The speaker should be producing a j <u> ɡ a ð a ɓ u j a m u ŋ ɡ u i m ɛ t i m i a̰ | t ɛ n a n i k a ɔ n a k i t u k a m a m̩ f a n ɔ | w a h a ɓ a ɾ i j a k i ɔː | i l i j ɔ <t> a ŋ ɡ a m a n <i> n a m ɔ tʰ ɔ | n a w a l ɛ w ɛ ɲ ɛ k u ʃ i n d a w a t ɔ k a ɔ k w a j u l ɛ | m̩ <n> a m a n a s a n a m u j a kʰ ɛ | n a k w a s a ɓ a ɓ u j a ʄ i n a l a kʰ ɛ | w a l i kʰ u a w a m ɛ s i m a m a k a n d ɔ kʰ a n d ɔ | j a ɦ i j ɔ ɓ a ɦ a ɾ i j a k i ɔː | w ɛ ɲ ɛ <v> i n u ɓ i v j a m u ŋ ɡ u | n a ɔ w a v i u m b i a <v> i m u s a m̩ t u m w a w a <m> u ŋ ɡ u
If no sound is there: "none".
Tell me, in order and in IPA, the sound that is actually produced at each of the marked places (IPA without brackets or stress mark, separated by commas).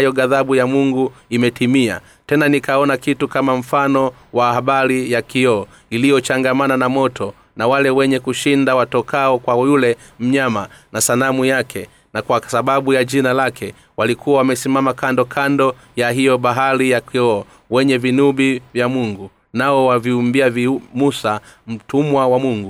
ɔ, t͡ʃ, a, ɲ, v, v, m